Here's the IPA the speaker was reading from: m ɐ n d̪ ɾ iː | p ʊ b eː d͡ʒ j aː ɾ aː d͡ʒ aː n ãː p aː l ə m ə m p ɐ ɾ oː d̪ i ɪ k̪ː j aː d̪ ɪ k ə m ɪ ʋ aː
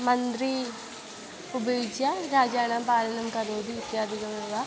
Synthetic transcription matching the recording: m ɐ n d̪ ɾ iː | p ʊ b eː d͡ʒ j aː ɾ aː d͡ʒ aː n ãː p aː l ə n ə m k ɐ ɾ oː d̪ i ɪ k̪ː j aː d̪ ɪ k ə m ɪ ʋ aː